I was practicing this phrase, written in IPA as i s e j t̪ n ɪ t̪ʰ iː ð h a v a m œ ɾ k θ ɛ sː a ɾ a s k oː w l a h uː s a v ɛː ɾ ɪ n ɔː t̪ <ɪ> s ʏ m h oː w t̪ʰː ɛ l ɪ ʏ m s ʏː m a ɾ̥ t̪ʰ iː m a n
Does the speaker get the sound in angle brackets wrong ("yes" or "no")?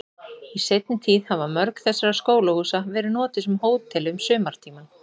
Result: no